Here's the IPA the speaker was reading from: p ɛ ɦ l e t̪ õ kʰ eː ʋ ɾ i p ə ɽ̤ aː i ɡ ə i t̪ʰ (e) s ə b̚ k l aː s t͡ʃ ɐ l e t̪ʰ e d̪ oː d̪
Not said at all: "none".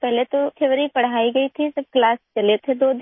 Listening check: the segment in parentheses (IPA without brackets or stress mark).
i